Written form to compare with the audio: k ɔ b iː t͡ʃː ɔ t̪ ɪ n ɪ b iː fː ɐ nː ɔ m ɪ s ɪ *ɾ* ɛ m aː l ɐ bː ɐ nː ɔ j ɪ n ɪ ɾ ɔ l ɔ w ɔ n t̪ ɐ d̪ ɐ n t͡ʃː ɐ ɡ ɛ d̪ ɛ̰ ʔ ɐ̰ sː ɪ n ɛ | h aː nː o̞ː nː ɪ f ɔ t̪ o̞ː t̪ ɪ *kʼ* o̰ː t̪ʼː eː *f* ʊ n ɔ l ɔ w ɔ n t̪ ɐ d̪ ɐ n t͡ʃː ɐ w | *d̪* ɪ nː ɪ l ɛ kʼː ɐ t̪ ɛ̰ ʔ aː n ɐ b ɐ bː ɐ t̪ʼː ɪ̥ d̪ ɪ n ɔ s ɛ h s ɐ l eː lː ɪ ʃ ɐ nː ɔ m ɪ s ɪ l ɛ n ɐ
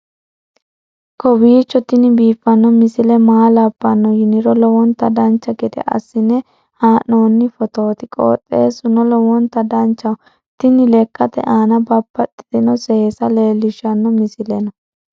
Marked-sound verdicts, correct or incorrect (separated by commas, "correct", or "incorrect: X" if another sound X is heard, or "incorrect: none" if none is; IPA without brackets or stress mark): incorrect: l, correct, incorrect: s, incorrect: t̪